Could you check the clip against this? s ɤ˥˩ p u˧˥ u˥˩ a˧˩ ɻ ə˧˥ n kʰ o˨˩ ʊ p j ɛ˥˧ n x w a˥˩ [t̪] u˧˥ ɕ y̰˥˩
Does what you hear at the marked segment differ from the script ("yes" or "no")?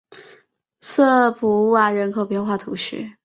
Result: yes